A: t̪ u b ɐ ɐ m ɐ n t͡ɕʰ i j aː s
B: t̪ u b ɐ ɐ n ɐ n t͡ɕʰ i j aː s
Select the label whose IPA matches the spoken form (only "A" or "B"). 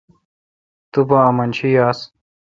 A